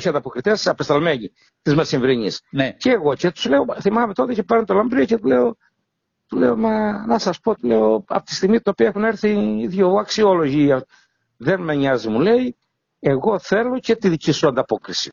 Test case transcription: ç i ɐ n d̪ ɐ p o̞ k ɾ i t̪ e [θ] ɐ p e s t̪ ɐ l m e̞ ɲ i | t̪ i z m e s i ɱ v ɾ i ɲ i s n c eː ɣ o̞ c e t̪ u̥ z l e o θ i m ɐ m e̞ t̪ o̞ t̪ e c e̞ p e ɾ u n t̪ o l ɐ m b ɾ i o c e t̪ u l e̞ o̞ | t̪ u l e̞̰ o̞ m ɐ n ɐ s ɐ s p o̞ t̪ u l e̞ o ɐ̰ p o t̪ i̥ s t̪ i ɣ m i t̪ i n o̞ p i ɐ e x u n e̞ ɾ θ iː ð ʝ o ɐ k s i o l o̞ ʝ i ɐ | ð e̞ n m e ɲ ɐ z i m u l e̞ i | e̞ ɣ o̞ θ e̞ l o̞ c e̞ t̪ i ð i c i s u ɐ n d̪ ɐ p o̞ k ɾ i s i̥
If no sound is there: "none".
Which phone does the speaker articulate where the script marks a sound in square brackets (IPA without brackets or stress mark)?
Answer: s